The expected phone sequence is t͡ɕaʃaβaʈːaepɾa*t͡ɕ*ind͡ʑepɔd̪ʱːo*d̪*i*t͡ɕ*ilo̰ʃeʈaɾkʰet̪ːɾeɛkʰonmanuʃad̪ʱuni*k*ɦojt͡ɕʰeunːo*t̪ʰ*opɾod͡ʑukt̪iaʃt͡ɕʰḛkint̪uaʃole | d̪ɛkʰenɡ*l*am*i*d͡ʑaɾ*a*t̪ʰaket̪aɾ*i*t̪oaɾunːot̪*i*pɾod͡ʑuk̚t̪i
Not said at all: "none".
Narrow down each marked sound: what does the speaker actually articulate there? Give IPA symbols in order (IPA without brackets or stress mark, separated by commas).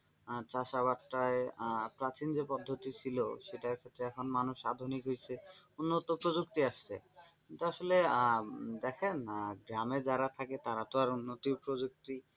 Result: t͡ɕ, t̪, t͡ɕʰ, k, t̪, ɾ, e, a, a, i